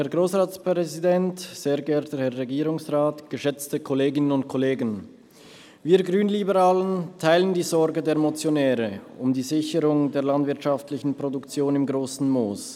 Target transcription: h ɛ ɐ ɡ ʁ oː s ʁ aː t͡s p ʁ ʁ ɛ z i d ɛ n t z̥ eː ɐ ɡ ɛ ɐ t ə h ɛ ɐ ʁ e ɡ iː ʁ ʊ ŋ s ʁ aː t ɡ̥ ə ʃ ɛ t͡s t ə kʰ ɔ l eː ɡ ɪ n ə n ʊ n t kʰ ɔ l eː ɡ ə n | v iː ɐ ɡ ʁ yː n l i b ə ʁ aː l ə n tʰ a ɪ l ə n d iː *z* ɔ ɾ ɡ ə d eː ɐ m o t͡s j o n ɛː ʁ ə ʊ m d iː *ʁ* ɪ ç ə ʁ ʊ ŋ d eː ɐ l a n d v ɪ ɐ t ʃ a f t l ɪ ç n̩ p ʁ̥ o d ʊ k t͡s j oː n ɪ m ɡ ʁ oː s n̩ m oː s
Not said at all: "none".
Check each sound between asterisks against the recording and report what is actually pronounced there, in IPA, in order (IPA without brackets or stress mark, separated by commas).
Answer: z, z